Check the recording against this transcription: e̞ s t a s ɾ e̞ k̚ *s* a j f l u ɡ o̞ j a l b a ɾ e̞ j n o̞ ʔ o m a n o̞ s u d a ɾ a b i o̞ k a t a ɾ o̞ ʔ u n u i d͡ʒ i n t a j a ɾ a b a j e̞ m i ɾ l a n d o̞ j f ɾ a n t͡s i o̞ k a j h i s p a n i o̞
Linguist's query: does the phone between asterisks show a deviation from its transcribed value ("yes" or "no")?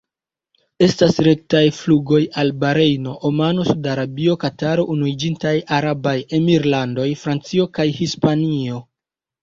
yes